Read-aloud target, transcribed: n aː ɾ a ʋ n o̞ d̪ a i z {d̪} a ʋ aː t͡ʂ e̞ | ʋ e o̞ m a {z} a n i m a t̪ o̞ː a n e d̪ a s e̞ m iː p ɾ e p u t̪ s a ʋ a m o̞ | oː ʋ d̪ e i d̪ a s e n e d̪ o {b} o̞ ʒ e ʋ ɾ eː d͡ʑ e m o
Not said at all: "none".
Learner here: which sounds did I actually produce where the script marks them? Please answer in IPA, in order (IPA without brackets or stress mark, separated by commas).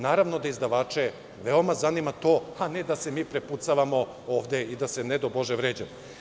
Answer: d̪, z, b